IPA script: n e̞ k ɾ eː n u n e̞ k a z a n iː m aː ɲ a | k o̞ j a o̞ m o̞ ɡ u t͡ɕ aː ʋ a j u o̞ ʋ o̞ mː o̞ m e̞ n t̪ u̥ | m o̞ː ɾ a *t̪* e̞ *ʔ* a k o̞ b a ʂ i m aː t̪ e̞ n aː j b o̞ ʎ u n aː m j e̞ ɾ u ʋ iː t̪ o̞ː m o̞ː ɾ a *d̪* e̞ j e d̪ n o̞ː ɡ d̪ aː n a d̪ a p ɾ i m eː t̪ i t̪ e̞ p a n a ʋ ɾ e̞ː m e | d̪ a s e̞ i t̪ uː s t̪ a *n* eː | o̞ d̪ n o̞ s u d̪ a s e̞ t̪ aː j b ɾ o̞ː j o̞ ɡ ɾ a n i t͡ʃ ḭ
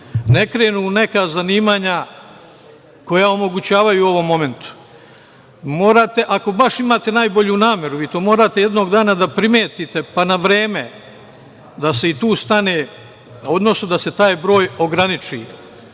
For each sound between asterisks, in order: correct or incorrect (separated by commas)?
correct, correct, incorrect, correct